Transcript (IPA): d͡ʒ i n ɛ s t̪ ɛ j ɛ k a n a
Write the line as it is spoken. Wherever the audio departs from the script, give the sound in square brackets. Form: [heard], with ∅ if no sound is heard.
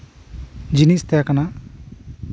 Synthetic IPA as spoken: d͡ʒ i n [i] s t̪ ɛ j [a] k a n a